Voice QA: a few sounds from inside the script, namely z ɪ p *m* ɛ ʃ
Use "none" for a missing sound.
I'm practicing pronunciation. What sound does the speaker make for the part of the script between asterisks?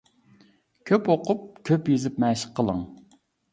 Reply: m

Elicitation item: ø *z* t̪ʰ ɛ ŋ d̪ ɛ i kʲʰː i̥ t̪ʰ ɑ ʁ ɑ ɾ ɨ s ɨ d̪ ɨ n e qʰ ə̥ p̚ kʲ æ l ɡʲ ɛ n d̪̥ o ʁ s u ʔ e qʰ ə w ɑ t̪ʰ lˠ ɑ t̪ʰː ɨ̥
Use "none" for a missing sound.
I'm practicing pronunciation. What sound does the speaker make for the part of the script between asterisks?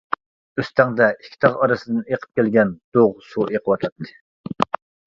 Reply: s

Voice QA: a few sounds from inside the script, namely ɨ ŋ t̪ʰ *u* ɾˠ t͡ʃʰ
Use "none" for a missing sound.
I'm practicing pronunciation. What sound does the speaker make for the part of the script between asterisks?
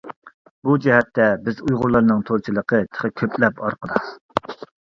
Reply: o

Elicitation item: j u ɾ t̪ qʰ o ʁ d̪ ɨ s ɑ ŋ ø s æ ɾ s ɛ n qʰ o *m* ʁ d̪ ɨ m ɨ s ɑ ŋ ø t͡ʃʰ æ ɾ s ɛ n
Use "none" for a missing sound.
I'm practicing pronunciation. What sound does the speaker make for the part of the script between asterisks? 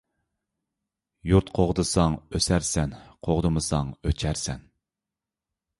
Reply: none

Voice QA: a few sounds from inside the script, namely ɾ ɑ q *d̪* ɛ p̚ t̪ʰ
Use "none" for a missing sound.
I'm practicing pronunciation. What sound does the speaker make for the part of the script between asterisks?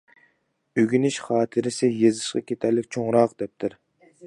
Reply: d̪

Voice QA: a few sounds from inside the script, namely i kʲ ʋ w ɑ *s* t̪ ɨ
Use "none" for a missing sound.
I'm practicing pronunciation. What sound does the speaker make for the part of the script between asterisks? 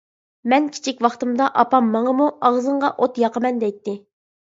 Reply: χ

